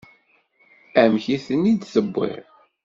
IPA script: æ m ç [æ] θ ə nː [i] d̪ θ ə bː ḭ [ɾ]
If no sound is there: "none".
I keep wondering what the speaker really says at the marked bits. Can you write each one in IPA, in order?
i, i, ɾ

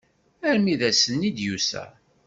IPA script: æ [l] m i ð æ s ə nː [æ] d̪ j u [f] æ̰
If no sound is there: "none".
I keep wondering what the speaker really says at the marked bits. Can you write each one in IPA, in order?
ɾ, i, s

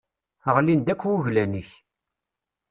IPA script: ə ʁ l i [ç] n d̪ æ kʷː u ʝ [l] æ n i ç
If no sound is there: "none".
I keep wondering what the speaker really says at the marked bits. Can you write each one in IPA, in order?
none, l

